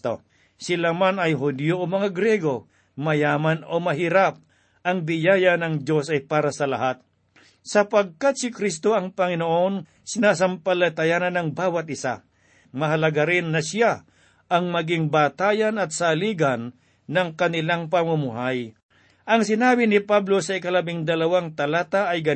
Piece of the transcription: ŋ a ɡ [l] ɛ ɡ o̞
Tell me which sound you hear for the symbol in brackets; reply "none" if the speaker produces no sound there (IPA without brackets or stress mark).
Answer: ɾ